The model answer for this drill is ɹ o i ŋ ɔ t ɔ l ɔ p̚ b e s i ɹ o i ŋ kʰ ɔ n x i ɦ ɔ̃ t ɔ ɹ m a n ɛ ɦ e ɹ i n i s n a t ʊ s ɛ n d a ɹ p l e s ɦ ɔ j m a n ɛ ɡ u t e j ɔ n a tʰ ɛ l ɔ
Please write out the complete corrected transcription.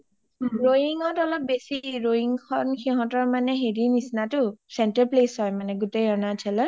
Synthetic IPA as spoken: ɹ o i ŋ ɔ t ɔ l ɔ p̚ b e s i ɹ o i ŋ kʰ ɔ n x i ɦ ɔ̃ t ɔ ɹ m a n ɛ ɦ e ɹ i n i s n a t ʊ s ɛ n t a ɹ p l e s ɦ ɔ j m a n ɛ ɡ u t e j ɔ n a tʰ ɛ l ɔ

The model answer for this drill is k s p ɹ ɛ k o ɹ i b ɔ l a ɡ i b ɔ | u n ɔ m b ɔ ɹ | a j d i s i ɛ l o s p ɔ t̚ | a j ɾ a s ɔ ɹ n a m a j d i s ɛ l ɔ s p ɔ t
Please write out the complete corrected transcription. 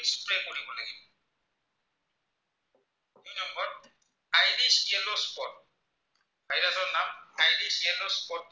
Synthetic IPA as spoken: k s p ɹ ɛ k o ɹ i b ɔ l a ɡ i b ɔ | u n ɔ m b ɔ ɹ | a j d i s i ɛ l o s p ɔ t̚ | a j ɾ a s ɔ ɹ n a m a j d i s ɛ l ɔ s p ɔ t

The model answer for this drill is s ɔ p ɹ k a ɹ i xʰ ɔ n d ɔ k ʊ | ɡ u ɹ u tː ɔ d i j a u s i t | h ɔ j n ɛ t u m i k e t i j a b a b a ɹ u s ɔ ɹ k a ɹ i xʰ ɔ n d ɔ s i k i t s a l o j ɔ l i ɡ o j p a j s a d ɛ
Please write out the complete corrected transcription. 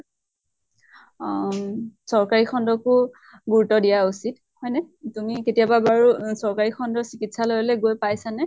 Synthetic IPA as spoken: s ɔ ɹ k a ɹ i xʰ ɔ n d ɔ k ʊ | ɡ u ɹ u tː ɔ d i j a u s i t | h ɔ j n ɛ t u m i k e t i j a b a b a ɹ u s ɔ ɹ k a ɹ i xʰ ɔ n d ɔ s i k i t s a l o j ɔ l ɛ ɡ o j p a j s a n ɛ

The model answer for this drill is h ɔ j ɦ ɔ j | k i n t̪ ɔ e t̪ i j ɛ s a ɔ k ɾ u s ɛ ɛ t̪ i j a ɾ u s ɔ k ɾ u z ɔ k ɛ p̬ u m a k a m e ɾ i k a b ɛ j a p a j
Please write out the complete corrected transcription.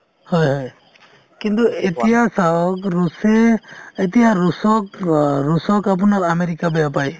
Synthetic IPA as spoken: h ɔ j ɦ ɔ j | k i n t̪ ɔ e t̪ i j a s a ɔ k ɾ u s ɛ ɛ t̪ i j a ɾ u s ɔ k ɾ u s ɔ k a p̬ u n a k a m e ɾ i k a b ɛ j a p a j

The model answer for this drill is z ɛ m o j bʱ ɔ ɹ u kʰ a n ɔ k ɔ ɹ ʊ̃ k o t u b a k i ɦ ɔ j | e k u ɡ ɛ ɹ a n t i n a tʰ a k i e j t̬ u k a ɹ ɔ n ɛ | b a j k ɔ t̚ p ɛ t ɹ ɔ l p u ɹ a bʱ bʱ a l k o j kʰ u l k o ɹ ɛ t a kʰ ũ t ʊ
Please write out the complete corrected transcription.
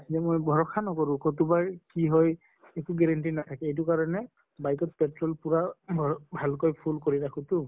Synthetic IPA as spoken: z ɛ m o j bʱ ɔ ɹ ɔ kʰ a n ɔ k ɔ ɹ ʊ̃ k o t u b a k i ɦ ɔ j | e k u ɡ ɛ ɹ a n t i n a tʰ a k ɛ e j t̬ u k a ɹ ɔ n ɛ | b a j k ɔ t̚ p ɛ t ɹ ɔ l p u ɹ a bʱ bʱ a l k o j pʰ u l k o ɹ i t a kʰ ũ t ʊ

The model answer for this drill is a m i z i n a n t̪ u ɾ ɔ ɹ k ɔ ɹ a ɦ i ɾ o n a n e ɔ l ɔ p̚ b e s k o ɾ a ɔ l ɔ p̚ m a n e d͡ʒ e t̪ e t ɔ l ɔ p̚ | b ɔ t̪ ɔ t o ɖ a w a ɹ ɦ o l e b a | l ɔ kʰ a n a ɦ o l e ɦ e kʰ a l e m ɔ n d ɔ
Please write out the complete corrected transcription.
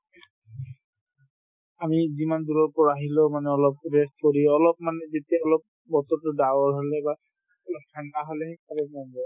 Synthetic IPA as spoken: a m i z i m a n d̪ u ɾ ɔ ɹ p ɔ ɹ a ɦ i l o m a n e ɔ l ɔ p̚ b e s k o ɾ i ɔ l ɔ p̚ m a n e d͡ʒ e t̪ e ɔ l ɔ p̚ | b ɔ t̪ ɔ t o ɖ a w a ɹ ɦ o l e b a | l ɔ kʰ a n a ɦ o l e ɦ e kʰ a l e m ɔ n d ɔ

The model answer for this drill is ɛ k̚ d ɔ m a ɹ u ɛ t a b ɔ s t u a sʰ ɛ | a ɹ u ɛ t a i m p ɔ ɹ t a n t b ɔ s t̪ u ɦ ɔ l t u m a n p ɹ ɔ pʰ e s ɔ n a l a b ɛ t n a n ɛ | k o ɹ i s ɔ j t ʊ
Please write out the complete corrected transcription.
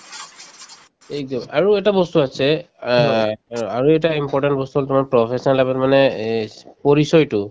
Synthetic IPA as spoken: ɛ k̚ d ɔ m a ɹ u ɛ t a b ɔ s t u a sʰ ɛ | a ɹ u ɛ t a i m p ɔ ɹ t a n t b ɔ s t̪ u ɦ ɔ l t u m a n p ɹ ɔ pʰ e s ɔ n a l a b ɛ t m a n ɛ | p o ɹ i s ɔ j t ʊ

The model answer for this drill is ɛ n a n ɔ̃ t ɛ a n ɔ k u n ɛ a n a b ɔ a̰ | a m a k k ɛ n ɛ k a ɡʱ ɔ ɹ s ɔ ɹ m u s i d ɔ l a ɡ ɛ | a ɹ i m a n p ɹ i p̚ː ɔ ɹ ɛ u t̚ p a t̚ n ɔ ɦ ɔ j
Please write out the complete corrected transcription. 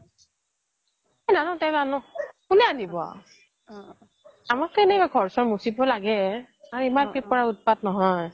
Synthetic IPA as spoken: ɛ n a n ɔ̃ t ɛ a n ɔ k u n ɛ a n i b ɔ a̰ | a m a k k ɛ n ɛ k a ɡʱ ɔ ɹ s ɔ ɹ m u s i b ɔ l a ɡ ɛ | a ɹ i m a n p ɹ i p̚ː ɔ ɹ a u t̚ p a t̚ n ɔ ɦ ɔ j

